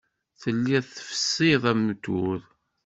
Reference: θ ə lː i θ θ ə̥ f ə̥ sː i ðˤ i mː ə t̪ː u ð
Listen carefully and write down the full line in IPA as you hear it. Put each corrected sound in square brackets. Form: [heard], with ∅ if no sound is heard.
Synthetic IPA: θ ə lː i [ð] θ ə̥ f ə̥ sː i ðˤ [æ] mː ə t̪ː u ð